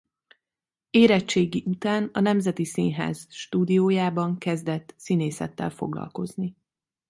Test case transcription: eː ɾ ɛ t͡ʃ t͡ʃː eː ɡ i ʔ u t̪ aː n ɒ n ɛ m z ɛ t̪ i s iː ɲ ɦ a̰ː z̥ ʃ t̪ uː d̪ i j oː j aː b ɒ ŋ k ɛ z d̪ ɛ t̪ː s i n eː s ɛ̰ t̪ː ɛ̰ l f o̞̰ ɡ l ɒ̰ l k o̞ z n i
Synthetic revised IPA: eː ɾ ɛ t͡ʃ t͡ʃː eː ɡ i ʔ u t̪ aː n ɒ n ɛ m z ɛ t̪ i s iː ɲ ɦ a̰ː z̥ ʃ t̪ uː d̪ i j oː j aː b ɒ ŋ k ɛ z d̪ ɛ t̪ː s i n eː s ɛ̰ t̪ː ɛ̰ l f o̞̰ ɡ l ɒ̰ l k o̞ z n i